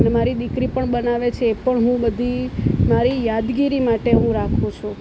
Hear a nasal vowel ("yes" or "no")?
yes